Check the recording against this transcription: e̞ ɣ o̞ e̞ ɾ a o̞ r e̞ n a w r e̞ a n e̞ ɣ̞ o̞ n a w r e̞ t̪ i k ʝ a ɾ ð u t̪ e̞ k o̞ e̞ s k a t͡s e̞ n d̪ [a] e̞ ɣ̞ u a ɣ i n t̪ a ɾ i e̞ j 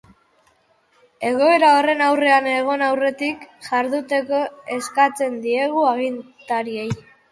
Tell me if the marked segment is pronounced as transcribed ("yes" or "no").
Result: no